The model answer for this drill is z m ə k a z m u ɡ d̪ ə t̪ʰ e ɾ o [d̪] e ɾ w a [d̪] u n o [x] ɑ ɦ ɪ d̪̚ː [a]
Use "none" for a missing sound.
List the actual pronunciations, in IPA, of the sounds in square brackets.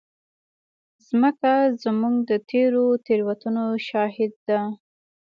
t̪, t̪, ʃ, a

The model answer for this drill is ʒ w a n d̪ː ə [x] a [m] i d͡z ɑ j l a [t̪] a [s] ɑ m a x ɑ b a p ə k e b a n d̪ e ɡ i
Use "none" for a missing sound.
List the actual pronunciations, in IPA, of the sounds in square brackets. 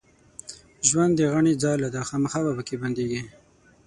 ɣ, ɳ, d̪, x

